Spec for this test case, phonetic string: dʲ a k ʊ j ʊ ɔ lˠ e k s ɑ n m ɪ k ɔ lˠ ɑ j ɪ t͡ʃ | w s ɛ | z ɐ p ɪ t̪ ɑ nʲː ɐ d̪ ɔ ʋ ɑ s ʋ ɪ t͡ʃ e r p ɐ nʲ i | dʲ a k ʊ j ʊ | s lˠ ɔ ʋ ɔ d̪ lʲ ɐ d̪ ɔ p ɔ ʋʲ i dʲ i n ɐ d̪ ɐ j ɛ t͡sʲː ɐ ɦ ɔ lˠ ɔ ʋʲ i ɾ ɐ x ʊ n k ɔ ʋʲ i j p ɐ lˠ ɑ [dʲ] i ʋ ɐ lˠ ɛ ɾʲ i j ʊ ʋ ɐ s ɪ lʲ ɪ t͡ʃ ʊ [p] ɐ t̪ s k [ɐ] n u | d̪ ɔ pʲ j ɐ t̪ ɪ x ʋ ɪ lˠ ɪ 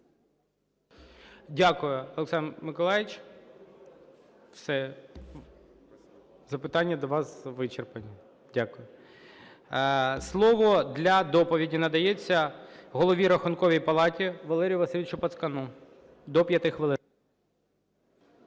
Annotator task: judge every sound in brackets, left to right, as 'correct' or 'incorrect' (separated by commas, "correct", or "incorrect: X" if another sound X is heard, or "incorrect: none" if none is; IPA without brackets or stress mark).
incorrect: tʲ, correct, correct